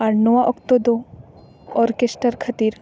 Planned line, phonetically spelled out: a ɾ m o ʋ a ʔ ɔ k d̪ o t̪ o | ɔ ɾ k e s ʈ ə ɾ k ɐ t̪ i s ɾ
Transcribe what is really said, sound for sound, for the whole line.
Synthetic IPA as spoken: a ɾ n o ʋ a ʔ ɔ k t̪ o d̪ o | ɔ ɾ k e s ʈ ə ɾ kʰ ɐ t̪ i ɾ